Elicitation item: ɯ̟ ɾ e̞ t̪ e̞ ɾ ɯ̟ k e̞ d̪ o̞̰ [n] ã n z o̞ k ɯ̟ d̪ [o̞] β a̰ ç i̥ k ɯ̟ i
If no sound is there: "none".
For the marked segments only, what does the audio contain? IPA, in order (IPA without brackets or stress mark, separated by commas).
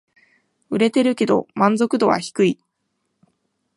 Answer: m, o̞